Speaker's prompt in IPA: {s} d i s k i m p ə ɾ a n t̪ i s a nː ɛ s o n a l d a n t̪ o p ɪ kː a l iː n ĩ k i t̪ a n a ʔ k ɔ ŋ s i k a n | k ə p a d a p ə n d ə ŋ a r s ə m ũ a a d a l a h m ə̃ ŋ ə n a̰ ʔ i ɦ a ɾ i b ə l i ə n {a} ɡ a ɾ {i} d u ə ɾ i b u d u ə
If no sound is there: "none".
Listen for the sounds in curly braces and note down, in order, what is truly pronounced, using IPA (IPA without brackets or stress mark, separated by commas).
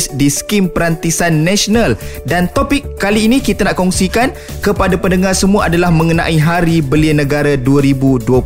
s, ə, a